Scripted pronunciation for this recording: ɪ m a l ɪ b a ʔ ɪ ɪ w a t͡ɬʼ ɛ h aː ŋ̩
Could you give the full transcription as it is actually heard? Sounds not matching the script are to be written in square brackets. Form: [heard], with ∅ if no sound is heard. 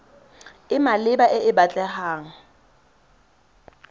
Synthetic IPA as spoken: ɪ m a l ɪ b a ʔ ɪ ɪ [b] a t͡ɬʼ ɛ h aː ŋ̩